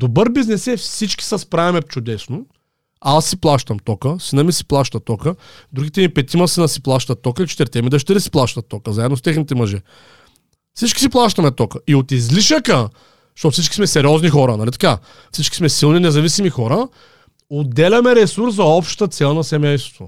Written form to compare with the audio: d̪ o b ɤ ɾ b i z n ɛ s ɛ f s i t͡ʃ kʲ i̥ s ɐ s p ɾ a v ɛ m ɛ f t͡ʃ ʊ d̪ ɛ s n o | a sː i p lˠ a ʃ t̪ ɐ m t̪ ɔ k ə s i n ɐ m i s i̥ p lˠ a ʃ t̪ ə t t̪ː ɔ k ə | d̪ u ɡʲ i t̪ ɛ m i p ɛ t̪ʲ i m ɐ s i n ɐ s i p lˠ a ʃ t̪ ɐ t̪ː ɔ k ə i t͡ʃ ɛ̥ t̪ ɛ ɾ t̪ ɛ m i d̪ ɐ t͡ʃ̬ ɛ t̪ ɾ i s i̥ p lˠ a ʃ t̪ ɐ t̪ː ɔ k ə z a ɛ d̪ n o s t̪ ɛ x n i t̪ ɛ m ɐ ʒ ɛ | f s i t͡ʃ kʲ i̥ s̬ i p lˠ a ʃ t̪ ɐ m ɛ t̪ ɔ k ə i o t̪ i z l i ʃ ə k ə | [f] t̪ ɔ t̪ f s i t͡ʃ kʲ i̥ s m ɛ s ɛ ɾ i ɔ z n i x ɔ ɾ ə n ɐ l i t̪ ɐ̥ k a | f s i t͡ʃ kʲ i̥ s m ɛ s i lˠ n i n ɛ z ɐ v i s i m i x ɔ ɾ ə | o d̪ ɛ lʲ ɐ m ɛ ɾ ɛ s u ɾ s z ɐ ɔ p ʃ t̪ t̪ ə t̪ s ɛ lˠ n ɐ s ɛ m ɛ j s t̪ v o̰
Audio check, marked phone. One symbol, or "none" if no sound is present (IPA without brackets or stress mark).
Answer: ʃ